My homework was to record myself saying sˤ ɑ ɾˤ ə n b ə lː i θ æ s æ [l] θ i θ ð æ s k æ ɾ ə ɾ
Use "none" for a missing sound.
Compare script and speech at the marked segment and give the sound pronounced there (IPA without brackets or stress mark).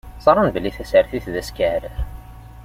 ɾ